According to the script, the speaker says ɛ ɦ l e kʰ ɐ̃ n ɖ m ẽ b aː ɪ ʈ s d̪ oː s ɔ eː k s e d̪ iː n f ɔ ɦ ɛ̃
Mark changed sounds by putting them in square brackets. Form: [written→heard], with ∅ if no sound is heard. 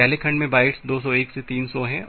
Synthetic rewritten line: ɛ ɦ l e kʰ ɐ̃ [n→ɳ] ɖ m ẽ b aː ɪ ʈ s d̪ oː s ɔ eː k s e [d̪→t̪] iː n [f→s] ɔ ɦ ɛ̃